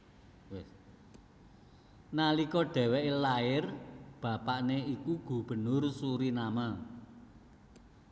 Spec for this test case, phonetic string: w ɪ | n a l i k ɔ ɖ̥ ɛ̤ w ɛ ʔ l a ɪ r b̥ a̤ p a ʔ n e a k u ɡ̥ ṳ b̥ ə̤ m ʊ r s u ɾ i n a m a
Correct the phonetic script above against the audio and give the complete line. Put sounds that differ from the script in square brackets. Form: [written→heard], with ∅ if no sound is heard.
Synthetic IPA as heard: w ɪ | n a l i k ɔ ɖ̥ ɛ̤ w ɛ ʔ l a ɪ r b̥ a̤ p a ʔ n e [a→i] k u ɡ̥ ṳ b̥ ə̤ [m→n] ʊ r s u ɾ i n a m a